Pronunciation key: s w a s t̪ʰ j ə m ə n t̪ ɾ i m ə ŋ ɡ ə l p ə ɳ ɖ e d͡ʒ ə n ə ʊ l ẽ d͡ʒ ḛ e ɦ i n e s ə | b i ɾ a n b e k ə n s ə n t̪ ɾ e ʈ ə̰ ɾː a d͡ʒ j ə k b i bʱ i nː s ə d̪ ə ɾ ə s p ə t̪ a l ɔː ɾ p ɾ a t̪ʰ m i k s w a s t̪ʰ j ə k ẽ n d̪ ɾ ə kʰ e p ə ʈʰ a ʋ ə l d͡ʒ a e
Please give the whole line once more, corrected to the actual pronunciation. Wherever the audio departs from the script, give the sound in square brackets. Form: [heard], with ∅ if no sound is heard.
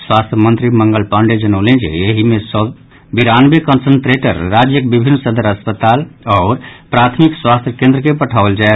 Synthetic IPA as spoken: s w a s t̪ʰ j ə m ə n t̪ ɾ i m ə ŋ ɡ ə l p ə ɳ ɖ e d͡ʒ ə n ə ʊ l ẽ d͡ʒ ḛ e ɦ i [m] e s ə | b i ɾ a n b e k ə n s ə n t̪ ɾ e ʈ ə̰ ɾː a d͡ʒ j ə k b i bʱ i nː s ə d̪ ə ɾ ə s p ə t̪ a l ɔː ɾ p ɾ a t̪ʰ m i k s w a s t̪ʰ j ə k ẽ n d̪ ɾ ə [k] e p ə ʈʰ a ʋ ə l d͡ʒ a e